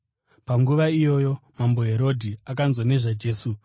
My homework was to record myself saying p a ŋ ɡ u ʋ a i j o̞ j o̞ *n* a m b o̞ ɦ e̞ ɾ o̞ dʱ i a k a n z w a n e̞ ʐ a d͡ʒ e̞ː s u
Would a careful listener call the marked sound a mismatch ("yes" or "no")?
yes